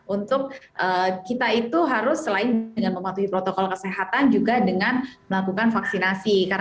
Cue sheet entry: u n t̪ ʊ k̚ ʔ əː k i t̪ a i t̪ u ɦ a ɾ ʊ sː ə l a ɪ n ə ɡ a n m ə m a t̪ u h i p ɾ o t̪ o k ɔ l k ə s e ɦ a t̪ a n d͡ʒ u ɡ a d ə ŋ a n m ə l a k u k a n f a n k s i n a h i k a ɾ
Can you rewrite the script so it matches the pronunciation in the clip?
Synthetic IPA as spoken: u n t̪ ʊ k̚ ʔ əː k i t̪ a i t̪ u ɦ a ɾ ʊ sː ə l a ɪ n ə ŋ a n m ə m a t̪ u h i p ɾ o t̪ o k ɔ l k ə s e ɦ a t̪ a n d͡ʒ u ɡ a d ə ŋ a n m ə l a k u k a n f a k s i n a s i k a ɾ